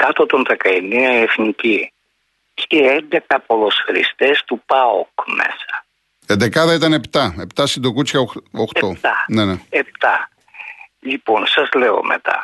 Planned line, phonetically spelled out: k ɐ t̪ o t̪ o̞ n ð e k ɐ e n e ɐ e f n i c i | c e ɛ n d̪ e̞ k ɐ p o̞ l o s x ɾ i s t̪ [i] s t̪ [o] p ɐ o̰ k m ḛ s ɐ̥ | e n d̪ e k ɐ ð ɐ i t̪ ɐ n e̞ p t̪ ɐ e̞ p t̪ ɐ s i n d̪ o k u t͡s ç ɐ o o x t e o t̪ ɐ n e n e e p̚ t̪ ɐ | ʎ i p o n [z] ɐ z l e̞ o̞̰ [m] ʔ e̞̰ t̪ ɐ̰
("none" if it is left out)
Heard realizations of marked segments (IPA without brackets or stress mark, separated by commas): e, u, s, m